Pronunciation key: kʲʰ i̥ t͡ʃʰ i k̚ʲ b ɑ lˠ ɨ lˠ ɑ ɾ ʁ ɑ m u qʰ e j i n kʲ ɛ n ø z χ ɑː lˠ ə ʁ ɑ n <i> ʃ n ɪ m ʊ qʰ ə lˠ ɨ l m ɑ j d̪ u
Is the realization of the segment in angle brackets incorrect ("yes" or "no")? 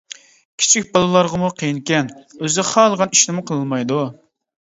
no